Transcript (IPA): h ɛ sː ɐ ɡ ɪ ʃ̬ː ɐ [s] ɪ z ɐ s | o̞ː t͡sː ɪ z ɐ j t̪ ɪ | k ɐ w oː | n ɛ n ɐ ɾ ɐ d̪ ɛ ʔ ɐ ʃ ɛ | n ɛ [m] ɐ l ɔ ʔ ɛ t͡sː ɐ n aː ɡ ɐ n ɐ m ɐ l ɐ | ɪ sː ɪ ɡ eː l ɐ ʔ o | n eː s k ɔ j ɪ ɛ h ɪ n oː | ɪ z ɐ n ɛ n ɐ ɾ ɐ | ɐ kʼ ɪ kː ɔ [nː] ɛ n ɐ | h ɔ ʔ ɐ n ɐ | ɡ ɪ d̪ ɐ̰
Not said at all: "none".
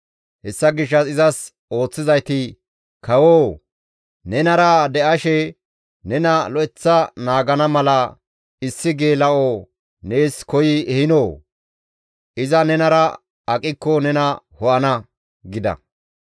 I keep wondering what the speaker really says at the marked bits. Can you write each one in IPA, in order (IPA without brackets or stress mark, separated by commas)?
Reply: s, n, n